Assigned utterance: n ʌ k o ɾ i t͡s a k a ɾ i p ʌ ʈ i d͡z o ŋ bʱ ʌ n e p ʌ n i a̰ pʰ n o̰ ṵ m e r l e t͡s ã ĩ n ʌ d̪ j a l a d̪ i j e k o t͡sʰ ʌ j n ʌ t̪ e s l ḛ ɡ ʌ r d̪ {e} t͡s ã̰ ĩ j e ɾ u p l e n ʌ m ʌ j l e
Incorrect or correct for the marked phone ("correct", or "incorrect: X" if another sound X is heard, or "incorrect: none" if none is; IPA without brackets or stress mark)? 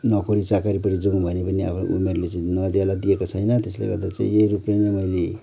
incorrect: a